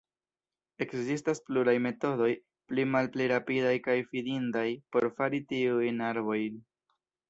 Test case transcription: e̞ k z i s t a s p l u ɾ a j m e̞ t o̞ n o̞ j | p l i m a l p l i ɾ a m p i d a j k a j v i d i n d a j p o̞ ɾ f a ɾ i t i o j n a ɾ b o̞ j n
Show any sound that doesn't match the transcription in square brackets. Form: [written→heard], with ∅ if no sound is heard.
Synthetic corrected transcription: e̞ k z i s t a s p l u ɾ a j m e̞ t o̞ [n→d] o̞ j | p l i m a l p l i ɾ a [m→∅] p i d a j k a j [v→f] i d i n d a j p o̞ ɾ f a ɾ i t i [o→u] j n a ɾ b o̞ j n